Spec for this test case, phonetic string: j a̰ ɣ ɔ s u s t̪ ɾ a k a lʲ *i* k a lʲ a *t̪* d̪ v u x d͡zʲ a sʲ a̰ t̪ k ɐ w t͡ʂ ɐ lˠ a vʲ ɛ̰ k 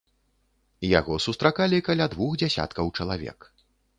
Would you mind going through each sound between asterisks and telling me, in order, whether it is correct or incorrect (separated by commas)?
correct, incorrect